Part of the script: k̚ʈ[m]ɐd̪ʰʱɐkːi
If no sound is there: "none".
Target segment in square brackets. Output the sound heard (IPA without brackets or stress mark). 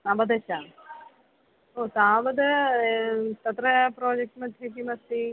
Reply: m